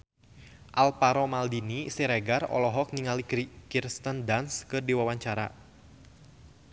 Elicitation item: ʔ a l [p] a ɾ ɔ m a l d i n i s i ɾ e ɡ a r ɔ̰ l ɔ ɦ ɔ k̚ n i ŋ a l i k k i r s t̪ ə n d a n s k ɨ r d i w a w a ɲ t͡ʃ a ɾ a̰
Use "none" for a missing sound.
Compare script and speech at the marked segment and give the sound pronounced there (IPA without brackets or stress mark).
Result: p